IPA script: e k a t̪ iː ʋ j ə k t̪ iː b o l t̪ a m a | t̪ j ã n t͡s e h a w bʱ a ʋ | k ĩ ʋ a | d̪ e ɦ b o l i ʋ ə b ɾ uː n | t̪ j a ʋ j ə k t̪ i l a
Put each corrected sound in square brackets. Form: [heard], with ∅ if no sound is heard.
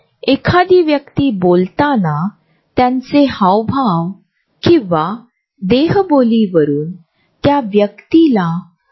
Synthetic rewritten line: e [kʰ] a [d̪] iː ʋ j ə k t̪ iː b o l t̪ a [n] a | t̪ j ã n t͡s e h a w bʱ a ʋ | k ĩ ʋ a | d̪ e ɦ b o l i ʋ ə [∅] ɾ uː n | t̪ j a ʋ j ə k t̪ i l a

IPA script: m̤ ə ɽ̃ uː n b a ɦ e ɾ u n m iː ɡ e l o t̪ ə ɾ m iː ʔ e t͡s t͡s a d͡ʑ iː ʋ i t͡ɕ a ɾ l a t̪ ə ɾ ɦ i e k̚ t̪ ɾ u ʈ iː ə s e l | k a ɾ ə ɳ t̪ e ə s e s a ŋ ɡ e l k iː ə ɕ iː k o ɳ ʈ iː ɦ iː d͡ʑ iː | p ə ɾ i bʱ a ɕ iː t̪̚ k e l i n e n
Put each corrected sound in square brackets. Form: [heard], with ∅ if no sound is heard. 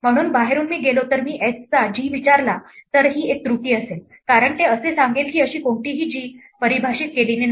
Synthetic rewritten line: m̤ ə ɽ̃ uː n b a ɦ e ɾ [uː] n m iː ɡ e l o t̪ ə ɾ m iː ʔ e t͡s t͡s a d͡ʑ iː ʋ i t͡ɕ a ɾ l a t̪ ə ɾ ɦ [iː] e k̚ t̪ ɾ u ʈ iː ə s e l | k a ɾ ə ɳ t̪ e ə s e s a ŋ ɡ e l k iː ə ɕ iː k o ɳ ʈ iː ɦ iː d͡ʑ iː | p ə ɾ i bʱ a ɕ iː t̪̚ k e l i n e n

